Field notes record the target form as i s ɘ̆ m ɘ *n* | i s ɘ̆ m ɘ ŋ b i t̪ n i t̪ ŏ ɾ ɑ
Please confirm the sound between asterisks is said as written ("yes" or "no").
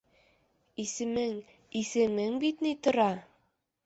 no